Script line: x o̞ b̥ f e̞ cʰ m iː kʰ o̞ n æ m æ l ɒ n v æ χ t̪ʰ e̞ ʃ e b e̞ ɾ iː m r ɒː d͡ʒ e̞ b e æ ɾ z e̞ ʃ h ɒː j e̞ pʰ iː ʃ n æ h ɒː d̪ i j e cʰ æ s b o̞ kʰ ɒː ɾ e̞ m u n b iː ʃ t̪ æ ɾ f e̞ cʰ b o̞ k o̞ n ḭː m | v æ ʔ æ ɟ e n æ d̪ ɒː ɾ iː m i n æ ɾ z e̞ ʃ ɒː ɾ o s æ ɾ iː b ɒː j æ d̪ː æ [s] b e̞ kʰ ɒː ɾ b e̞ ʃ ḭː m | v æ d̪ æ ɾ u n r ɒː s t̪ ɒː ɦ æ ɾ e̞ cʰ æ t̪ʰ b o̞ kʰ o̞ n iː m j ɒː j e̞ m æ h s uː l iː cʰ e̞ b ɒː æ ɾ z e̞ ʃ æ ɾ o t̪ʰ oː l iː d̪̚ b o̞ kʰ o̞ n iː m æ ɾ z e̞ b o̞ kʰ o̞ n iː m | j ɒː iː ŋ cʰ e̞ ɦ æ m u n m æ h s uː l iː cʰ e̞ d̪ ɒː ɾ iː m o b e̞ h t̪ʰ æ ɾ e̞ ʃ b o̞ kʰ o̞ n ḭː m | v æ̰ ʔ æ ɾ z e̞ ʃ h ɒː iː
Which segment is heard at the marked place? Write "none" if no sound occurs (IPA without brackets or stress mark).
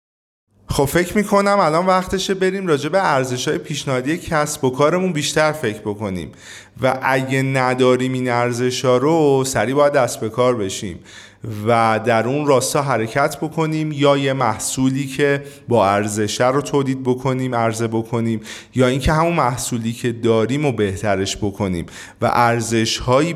s